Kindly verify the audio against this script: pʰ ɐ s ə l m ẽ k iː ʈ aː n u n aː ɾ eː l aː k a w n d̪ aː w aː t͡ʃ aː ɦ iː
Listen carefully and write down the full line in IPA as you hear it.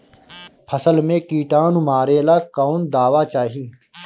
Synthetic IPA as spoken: pʰ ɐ s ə l m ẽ k iː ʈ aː n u m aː ɾ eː l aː k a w n d̪ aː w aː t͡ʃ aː ɦ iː